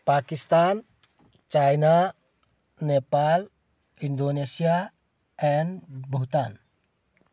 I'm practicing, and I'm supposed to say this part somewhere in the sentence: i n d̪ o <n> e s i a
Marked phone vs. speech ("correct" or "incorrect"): correct